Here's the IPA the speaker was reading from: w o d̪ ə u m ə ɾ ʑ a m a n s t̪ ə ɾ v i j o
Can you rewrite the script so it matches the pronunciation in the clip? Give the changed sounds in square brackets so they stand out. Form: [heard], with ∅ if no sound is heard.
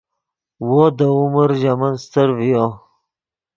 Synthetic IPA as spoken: w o d̪ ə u m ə ɾ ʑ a m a n s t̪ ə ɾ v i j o